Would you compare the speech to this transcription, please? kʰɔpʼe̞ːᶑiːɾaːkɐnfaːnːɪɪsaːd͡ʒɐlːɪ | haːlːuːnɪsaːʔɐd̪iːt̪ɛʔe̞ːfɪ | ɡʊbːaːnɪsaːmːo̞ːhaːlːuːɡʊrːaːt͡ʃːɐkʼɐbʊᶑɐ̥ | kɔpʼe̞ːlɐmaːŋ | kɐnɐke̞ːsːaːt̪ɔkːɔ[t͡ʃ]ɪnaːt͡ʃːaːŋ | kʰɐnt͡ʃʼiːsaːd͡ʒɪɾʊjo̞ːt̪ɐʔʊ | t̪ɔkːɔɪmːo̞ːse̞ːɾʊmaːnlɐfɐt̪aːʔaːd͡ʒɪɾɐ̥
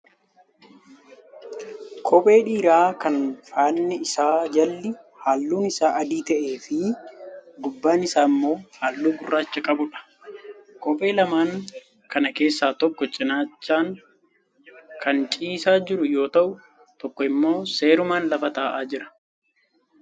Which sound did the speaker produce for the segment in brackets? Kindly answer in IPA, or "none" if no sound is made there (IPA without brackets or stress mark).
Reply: t͡ʃʼ